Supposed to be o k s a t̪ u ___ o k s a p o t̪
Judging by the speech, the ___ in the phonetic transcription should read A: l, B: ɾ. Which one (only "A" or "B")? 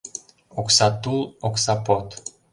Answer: A